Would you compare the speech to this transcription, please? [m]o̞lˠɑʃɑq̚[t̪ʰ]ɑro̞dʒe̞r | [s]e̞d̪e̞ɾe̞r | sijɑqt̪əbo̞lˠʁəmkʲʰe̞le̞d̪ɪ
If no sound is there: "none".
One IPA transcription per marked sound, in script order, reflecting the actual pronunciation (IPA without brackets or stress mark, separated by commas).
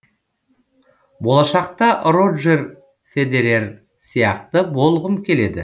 b, t̪, f